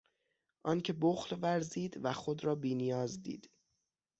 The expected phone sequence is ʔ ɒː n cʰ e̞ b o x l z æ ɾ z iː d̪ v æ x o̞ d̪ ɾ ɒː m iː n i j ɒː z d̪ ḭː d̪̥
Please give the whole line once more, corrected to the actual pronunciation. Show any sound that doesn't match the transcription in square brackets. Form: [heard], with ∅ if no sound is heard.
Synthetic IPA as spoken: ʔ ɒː n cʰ e̞ b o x l [v] æ ɾ z iː d̪ v æ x o̞ d̪ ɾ ɒː [b] iː n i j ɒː z d̪ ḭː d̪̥